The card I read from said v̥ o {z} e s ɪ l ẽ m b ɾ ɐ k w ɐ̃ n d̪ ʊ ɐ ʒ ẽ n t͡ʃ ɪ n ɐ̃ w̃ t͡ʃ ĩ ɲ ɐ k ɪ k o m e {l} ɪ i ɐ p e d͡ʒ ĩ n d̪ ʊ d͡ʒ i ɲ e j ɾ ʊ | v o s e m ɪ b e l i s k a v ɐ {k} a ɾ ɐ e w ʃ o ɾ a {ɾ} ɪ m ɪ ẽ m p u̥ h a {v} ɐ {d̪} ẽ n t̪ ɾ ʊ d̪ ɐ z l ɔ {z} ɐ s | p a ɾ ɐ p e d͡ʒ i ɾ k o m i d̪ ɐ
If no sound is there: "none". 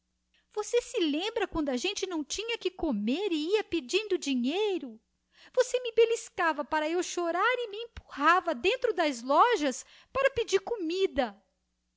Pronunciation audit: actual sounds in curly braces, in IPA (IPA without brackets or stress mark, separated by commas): s, ɾ, p, ɾ, v, d̪, ʒ